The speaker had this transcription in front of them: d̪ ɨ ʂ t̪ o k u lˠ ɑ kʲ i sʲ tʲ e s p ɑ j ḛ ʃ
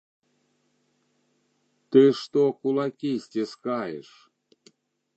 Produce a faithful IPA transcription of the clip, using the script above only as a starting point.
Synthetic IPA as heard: t̪ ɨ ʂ t̪ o k u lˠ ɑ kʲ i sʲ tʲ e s k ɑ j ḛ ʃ